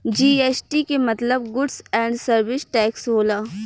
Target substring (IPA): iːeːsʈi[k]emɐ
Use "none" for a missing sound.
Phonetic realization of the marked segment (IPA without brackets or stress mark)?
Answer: k